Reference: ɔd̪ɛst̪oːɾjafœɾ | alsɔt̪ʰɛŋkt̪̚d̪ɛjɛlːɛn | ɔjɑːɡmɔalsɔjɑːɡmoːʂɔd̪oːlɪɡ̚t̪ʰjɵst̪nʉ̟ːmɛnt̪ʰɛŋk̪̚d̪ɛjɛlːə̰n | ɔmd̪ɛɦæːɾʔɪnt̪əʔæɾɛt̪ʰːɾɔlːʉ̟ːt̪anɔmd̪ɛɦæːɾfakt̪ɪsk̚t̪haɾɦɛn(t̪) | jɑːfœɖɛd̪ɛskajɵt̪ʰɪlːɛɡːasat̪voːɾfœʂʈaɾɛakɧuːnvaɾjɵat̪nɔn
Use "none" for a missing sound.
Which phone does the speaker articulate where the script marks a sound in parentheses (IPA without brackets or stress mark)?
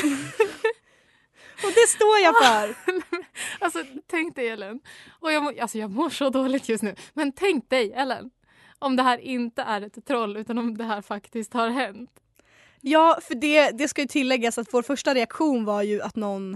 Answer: t̪